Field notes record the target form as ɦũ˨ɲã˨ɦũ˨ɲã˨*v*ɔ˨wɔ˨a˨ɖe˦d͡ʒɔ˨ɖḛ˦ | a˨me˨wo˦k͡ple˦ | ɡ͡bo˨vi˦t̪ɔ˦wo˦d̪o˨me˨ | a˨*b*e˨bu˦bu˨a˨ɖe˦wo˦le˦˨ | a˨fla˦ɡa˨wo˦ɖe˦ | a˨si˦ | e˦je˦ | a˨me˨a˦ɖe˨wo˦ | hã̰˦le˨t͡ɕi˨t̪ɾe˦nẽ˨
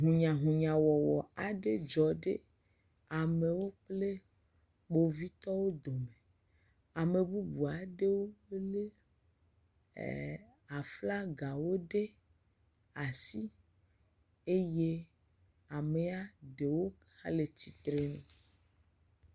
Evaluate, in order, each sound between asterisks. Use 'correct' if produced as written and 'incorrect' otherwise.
incorrect: w, incorrect: m

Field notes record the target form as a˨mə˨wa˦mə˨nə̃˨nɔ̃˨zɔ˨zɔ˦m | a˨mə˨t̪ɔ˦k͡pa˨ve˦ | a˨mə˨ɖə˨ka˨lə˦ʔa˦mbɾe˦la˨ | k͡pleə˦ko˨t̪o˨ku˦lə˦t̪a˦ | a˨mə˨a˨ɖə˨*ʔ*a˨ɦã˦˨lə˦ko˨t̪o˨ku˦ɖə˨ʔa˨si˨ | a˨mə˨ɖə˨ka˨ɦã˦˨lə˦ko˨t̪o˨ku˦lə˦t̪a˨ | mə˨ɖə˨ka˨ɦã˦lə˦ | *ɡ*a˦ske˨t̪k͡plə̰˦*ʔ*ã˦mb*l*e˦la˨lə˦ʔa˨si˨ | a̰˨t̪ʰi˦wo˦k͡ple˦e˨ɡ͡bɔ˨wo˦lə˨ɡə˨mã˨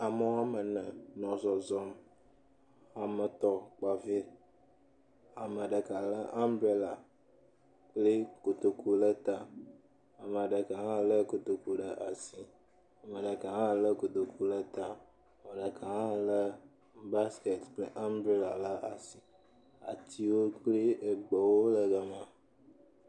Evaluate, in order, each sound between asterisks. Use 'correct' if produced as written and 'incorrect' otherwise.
incorrect: k, incorrect: b, correct, incorrect: ɾ

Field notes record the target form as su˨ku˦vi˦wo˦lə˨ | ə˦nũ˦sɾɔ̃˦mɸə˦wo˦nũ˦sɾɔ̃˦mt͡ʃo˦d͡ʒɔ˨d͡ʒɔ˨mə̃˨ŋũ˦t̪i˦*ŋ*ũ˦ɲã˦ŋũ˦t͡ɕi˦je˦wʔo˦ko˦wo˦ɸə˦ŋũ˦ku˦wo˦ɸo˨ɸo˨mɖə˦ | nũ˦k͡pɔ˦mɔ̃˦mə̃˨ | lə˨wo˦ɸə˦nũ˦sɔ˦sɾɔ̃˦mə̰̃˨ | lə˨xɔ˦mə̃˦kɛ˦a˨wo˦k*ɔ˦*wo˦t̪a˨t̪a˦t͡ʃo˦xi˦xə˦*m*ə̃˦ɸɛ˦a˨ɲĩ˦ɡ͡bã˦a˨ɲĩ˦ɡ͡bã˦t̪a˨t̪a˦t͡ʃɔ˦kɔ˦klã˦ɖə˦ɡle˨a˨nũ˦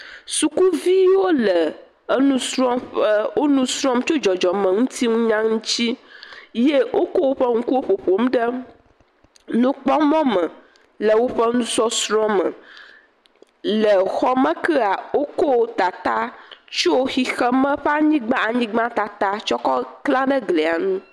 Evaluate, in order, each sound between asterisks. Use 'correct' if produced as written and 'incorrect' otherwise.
correct, incorrect: o˦, correct

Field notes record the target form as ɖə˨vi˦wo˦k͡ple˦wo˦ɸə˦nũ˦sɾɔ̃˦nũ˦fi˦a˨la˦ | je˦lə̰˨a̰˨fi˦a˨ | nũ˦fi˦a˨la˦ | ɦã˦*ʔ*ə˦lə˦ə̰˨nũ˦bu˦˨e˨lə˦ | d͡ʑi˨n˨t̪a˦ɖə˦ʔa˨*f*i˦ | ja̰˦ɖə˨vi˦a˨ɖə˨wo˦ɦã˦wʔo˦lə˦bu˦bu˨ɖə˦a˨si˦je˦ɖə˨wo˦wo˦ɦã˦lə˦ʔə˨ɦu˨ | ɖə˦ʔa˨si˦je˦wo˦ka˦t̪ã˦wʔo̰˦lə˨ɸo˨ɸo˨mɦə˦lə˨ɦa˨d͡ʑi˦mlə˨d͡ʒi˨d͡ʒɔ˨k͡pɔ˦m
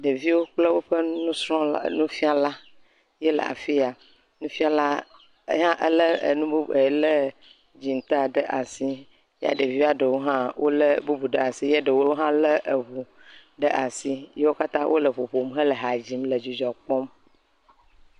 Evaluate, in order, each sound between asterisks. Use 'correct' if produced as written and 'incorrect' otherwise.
correct, incorrect: s

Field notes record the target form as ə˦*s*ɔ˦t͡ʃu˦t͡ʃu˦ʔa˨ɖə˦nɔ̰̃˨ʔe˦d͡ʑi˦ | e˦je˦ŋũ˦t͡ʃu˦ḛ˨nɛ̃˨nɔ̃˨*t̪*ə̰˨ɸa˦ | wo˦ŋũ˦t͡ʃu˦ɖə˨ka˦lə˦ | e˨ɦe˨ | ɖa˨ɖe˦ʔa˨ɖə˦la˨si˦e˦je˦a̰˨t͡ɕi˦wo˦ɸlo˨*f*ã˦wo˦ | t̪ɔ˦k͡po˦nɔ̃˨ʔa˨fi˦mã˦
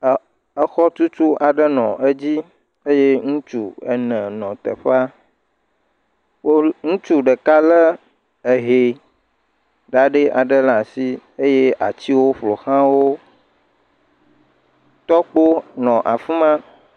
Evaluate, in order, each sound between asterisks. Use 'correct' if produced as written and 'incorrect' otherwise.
incorrect: x, correct, incorrect: x

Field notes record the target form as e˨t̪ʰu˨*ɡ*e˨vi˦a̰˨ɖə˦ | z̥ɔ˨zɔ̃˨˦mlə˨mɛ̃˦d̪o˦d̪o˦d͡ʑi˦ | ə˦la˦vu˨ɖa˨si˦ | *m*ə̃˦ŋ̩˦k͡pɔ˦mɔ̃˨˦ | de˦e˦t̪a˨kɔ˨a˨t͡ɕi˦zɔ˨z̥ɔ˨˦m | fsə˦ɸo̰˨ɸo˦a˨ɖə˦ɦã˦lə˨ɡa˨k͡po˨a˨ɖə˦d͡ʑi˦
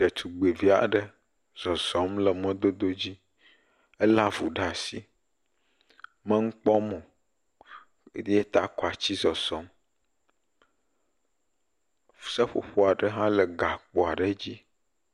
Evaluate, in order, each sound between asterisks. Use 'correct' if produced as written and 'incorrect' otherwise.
incorrect: ɡ͡b, correct

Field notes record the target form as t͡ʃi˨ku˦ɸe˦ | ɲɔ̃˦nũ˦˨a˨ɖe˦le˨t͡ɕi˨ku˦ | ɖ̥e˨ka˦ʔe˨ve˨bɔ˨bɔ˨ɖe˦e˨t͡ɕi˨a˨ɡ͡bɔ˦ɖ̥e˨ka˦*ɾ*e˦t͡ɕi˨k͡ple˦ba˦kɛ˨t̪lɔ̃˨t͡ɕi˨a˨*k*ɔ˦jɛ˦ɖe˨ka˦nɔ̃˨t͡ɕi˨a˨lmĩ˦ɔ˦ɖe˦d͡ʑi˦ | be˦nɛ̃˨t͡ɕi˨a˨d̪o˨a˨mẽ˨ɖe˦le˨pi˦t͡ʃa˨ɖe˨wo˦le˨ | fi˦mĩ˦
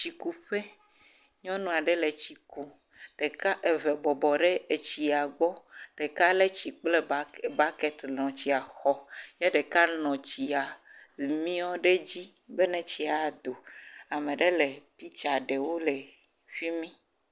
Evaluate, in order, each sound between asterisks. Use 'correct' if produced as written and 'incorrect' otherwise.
incorrect: l, incorrect: x

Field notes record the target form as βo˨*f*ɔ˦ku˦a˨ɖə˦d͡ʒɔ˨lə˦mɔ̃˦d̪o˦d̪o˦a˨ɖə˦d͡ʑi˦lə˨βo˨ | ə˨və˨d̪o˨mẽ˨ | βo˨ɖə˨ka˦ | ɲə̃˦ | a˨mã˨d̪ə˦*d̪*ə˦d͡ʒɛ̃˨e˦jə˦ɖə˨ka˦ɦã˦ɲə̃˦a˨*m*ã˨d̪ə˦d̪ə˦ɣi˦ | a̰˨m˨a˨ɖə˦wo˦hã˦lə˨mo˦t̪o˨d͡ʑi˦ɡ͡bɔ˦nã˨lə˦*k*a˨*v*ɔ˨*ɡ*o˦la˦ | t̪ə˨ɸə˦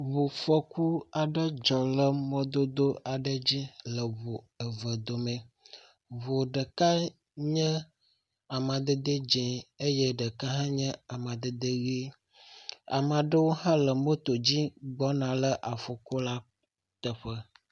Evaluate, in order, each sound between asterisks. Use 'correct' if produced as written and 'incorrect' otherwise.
correct, correct, correct, incorrect: ʔ, incorrect: f, incorrect: k

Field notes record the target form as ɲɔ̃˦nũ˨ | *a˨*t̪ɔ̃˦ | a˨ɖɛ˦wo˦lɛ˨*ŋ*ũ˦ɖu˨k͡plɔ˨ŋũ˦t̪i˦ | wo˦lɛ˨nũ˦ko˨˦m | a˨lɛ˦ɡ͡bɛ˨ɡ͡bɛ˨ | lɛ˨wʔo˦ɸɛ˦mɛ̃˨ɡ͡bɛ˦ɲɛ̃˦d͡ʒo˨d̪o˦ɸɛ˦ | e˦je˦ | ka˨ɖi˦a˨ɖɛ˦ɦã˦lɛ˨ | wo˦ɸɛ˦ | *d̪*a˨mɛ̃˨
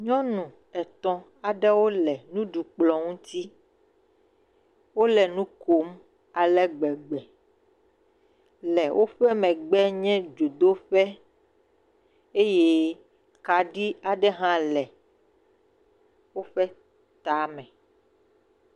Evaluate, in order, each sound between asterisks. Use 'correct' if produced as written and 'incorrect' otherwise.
incorrect: ɛ˨, incorrect: n, incorrect: t̪

